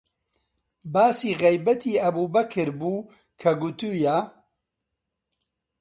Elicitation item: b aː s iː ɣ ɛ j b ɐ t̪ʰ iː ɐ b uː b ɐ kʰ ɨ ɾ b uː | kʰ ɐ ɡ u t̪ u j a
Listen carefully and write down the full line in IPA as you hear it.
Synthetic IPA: b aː s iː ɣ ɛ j b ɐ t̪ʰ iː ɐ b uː b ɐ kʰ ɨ ɾ b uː | kʰ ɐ ɡ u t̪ u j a